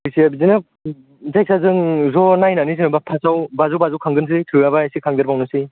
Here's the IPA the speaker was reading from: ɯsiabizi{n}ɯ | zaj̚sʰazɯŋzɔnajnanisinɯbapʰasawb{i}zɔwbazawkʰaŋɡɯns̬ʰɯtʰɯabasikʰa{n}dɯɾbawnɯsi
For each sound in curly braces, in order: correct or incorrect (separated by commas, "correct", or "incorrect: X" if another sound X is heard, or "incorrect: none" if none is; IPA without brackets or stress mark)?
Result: correct, incorrect: a, incorrect: ŋ